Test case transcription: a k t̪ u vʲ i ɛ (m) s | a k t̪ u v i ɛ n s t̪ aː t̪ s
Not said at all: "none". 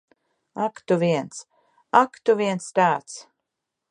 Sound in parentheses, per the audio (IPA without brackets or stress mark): n